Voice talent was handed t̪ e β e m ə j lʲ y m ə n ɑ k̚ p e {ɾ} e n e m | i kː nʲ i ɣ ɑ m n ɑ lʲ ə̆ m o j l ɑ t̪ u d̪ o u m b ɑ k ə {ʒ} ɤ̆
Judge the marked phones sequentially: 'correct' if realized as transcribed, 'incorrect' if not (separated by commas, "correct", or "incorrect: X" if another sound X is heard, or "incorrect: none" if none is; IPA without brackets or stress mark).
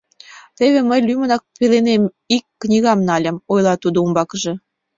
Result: incorrect: l, correct